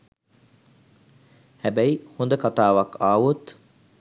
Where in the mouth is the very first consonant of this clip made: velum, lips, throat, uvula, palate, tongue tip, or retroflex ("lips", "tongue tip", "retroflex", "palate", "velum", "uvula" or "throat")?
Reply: throat